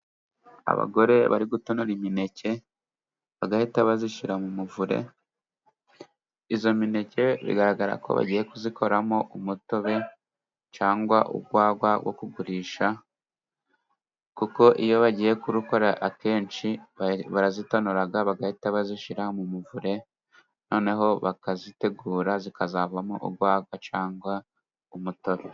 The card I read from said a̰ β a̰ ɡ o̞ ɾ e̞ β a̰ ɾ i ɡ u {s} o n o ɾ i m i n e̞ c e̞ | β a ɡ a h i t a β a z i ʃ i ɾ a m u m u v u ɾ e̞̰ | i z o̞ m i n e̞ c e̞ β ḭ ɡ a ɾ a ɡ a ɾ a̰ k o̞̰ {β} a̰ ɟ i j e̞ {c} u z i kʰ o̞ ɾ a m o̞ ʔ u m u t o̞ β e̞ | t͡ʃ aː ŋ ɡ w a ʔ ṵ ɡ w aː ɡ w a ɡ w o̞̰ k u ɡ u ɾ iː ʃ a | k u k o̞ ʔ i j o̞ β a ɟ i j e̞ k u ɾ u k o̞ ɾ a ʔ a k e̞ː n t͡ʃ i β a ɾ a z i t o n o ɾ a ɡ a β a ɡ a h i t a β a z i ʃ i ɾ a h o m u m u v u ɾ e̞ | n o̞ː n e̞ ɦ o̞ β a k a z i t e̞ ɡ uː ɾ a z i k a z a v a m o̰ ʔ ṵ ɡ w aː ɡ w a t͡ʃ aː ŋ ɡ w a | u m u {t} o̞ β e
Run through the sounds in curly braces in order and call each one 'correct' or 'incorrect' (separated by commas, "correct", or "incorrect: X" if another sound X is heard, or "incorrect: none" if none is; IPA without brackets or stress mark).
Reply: incorrect: t, correct, incorrect: k, correct